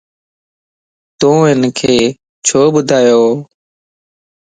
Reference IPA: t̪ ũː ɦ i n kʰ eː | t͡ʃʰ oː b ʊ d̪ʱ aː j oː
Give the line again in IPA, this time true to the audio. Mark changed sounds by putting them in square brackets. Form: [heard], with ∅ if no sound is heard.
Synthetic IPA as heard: t̪ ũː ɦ [ɪ] n kʰ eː | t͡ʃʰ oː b ʊ d̪ʱ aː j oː